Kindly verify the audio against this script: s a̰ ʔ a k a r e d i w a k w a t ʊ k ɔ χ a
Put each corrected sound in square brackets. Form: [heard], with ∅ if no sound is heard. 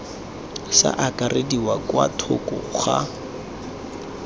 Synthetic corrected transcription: s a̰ ʔ a k a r e d i w a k w a [tʰ] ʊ k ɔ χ a